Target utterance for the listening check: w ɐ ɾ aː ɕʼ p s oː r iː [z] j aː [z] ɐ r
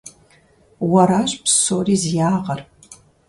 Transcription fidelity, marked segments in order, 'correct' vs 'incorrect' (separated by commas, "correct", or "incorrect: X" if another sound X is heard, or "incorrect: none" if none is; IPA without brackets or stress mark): correct, incorrect: ʁ